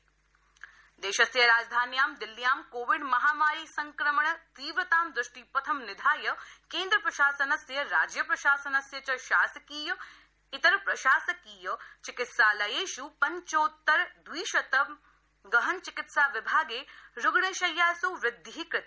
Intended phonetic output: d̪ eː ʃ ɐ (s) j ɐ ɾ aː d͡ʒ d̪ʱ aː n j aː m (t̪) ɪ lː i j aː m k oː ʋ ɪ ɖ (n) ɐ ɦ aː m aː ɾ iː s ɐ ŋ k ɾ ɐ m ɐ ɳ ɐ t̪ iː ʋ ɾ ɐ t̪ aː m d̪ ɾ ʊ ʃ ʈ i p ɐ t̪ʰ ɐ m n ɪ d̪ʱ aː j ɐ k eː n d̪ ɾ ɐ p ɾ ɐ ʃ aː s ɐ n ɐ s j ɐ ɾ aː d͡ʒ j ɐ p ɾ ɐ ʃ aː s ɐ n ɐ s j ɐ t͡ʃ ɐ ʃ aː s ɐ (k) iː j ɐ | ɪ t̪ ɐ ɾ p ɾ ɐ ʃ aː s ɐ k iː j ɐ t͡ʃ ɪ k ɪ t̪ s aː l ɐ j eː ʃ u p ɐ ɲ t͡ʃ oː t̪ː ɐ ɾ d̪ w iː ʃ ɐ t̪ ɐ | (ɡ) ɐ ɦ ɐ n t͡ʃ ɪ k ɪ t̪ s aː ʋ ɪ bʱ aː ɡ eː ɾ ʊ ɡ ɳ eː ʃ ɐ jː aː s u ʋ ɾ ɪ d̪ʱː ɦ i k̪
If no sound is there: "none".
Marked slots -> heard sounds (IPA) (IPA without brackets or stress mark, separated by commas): s, d̪, m, k, ɡ